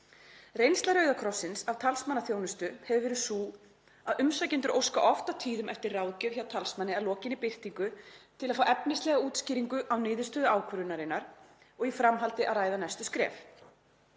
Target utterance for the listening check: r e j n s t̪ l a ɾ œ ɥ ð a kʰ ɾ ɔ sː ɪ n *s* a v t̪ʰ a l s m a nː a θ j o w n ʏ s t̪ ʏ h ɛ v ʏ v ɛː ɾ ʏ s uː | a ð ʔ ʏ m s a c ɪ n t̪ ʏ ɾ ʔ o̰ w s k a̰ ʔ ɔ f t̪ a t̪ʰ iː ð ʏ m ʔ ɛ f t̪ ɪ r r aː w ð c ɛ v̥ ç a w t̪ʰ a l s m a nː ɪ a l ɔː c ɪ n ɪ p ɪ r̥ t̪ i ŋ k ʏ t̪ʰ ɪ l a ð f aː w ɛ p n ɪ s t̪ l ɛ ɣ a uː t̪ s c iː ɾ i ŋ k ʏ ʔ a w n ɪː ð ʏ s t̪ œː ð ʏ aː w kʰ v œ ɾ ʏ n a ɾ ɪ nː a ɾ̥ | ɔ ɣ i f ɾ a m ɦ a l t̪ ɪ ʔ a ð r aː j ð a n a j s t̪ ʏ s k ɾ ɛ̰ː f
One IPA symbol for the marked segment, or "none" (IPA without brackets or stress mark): s